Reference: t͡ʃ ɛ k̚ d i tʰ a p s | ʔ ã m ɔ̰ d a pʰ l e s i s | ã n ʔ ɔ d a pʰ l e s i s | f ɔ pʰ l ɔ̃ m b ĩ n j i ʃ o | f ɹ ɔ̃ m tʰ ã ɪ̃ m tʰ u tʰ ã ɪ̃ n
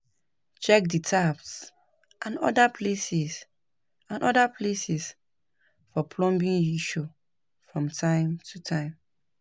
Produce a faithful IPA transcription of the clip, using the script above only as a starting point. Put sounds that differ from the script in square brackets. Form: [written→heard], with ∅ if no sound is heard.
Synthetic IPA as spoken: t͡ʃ ɛ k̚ d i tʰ a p s | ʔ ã [m→n] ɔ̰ d a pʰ l e s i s | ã n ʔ ɔ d a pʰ l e s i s | f ɔ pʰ l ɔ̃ m b ĩ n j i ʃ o | f ɹ ɔ̃ m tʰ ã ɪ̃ m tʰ u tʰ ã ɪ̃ [n→m]